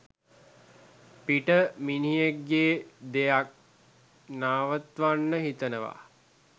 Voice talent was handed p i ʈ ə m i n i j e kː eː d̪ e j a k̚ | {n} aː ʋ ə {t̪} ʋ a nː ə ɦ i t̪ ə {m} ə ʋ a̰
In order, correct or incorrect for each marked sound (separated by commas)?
correct, correct, incorrect